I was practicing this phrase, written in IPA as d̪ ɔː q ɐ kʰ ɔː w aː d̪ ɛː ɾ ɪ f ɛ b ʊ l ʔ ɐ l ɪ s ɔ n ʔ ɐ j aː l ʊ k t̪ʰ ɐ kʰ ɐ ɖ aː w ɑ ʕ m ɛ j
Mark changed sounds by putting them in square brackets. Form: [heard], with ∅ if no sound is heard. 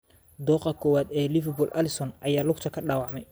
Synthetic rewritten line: d̪ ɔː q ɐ kʰ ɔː w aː d̪ ɛː [l] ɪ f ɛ b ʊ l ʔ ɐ l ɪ s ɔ n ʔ ɐ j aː l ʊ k t̪ʰ ɐ kʰ ɐ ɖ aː w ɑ ʕ m ɛ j